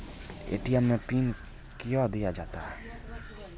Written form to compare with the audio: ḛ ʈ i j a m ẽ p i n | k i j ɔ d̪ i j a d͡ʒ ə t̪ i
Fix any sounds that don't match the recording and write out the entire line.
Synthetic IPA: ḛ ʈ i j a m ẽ p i n | k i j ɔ d̪ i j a d͡ʒ a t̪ a